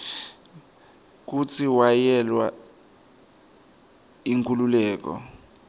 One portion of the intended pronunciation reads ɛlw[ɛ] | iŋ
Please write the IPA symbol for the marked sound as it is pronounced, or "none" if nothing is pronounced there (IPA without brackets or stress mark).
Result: a